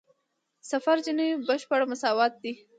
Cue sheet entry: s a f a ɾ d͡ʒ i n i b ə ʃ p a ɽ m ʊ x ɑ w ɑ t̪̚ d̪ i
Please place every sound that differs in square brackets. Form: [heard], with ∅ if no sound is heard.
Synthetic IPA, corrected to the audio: s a f a ɾ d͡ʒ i n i b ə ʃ p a ɽ m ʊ [s] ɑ w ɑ t̪̚ d̪ i